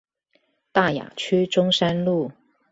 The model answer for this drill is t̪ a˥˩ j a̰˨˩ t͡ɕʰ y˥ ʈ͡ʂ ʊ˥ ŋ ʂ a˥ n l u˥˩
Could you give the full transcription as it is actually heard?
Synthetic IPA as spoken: t̪ a˥˩ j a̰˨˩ t͡ɕʰ y˥ ʈ͡ʂ ʊ˥ ŋ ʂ a˥ n l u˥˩